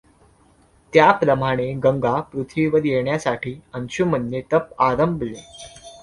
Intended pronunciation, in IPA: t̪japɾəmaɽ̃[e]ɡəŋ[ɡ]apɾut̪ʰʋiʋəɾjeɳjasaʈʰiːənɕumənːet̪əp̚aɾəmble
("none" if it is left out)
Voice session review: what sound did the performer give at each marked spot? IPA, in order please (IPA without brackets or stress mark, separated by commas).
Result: e, ɡ